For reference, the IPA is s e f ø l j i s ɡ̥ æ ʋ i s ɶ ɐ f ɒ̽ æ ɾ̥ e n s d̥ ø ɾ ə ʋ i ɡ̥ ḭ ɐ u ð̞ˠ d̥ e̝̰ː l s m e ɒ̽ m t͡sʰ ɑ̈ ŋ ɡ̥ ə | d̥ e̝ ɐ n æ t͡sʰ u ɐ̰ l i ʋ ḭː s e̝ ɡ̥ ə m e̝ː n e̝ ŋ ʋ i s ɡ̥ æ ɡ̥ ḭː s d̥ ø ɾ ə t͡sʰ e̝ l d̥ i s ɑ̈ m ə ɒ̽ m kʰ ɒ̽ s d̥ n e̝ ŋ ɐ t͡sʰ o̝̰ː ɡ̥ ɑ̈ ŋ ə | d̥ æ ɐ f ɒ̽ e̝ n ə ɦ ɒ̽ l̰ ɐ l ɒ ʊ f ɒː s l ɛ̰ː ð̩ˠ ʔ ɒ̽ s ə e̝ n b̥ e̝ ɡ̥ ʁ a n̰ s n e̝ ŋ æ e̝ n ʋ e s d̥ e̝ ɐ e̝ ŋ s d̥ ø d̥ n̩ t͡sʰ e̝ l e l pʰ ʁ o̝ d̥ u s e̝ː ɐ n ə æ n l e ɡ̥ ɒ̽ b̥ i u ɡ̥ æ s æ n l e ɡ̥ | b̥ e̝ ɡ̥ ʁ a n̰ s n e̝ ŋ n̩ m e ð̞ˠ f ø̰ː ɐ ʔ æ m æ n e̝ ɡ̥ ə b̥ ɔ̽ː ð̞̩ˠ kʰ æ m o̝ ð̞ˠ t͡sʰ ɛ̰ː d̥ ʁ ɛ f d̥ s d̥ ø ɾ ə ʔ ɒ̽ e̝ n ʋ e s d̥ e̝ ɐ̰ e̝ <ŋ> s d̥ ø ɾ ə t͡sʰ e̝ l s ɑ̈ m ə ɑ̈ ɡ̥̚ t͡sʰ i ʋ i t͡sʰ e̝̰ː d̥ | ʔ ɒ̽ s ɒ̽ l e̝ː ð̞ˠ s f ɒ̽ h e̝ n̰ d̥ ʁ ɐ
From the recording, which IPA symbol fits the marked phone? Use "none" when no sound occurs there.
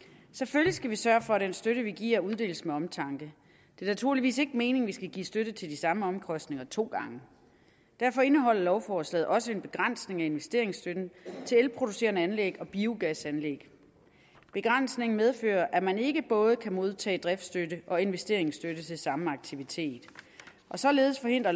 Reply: ŋ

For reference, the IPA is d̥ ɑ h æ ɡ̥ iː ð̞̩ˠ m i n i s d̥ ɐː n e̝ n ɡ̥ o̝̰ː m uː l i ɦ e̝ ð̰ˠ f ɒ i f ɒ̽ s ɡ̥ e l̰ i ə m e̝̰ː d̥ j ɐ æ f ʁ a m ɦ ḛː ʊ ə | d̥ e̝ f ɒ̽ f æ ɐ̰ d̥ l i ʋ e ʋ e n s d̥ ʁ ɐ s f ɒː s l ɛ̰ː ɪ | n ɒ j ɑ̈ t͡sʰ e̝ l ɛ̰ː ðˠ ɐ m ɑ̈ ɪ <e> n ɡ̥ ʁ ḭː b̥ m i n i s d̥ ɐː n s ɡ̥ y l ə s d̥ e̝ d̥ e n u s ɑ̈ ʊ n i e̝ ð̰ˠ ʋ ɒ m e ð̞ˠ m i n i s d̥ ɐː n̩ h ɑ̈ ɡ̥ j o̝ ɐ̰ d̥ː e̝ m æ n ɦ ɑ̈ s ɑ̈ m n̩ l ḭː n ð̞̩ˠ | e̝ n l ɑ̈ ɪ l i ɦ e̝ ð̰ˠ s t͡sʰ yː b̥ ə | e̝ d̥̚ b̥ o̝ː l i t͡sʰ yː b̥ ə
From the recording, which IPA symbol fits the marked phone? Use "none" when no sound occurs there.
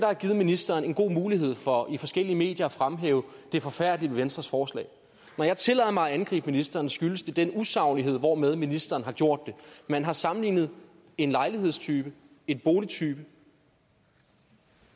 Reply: æ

